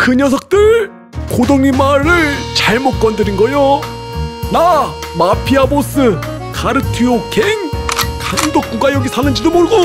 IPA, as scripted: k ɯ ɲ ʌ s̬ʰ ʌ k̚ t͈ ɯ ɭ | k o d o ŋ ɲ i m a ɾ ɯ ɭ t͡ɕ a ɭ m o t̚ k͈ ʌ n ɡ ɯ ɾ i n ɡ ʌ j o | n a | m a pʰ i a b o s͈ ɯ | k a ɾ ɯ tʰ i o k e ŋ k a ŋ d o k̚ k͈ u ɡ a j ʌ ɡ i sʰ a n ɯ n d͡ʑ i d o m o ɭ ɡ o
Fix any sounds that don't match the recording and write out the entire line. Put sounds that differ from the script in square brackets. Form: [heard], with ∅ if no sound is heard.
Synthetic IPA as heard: k ɯ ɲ ʌ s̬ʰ ʌ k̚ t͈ ɯ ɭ | k o d o ŋ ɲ i m a ɾ ɯ ɭ t͡ɕ a ɭ m o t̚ k͈ ʌ n [d] ɯ ɾ i n ɡ ʌ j o | n a | m a pʰ i a b o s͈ ɯ | k a ɾ ɯ tʰ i o k e ŋ k a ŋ d o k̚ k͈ u ɡ a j ʌ ɡ i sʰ a n ɯ n d͡ʑ i d o m o ɭ ɡ o